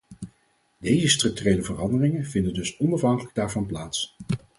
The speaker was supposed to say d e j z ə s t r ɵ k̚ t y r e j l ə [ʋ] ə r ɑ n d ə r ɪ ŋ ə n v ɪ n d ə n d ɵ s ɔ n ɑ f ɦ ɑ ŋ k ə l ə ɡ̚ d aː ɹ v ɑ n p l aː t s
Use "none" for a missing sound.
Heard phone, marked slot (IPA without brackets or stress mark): v